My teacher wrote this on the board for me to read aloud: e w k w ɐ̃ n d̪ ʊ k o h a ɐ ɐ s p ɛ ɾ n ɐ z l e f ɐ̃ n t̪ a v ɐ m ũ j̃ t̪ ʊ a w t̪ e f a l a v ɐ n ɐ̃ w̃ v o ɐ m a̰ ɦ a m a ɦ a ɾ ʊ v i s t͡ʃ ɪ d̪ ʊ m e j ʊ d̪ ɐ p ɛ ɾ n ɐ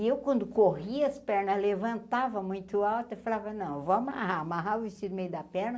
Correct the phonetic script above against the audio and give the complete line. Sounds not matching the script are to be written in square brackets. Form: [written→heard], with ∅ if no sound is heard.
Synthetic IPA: e w k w ɐ̃ n d̪ ʊ k o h [a→i] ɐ ɐ s p ɛ ɾ n ɐ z l e [f→v] ɐ̃ n t̪ a v ɐ m ũ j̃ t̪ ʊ a w t̪ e f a l a v ɐ n ɐ̃ w̃ v o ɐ m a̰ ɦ a m a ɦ a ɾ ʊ v i s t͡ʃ [ɪ→i] d̪ ʊ m e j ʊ d̪ ɐ p ɛ ɾ n ɐ